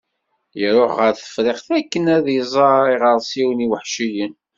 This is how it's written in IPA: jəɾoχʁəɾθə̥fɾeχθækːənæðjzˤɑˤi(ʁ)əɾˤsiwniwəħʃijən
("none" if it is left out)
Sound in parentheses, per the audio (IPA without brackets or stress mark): ʁ